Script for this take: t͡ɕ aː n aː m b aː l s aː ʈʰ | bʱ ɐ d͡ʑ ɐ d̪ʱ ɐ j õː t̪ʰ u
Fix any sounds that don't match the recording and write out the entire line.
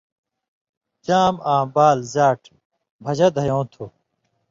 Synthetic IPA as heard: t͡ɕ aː m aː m b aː l z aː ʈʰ | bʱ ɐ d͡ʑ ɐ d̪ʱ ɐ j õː t̪ʰ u